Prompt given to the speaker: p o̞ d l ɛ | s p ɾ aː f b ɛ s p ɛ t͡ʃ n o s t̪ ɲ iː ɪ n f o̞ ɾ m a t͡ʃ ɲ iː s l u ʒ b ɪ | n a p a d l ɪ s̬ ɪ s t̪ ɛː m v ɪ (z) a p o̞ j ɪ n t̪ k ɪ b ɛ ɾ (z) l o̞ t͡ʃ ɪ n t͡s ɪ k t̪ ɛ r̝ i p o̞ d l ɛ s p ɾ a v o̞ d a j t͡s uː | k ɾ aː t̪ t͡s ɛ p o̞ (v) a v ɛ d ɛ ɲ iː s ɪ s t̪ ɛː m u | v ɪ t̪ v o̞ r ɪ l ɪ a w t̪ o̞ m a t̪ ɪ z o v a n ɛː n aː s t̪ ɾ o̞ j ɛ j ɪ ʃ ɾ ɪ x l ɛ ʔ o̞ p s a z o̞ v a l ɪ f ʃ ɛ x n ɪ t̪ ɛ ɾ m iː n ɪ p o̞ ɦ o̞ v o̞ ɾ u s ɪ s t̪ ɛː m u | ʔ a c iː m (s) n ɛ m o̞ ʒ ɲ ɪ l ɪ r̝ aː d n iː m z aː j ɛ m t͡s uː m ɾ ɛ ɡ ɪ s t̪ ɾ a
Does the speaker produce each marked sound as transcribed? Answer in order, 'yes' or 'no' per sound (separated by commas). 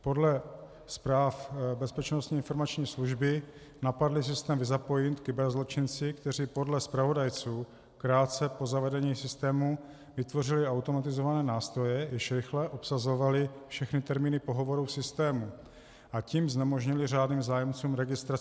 yes, yes, no, no